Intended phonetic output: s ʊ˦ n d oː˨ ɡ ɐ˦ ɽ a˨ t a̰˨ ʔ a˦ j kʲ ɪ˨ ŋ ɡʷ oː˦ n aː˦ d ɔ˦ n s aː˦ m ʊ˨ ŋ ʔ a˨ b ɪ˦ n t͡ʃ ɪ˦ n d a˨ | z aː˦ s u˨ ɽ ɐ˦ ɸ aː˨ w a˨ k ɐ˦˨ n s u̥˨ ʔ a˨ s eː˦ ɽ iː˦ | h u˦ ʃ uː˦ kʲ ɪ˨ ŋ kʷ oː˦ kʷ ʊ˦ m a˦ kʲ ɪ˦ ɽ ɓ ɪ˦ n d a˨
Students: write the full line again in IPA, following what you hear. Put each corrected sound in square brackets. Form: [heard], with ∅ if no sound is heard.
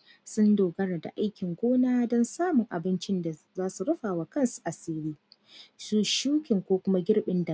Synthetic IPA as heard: s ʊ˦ n d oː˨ ɡ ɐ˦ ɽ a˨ [d] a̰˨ ʔ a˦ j kʲ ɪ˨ ŋ ɡʷ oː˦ n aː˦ d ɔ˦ n s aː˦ m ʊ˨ ŋ ʔ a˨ b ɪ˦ n t͡ʃ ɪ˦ n d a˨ | z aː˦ s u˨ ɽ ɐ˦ ɸ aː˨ w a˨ k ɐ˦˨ n s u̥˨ ʔ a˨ s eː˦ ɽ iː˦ | [s] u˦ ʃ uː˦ kʲ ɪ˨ ŋ kʷ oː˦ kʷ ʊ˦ m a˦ [ɡʲ] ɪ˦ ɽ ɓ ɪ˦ n d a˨